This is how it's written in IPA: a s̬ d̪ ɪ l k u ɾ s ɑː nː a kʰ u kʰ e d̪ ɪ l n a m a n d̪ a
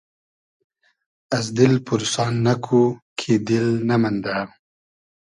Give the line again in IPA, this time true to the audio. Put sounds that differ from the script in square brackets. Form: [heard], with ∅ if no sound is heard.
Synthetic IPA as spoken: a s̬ d̪ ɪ l [p] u ɾ s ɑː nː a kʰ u kʰ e d̪ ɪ l n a m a n d̪ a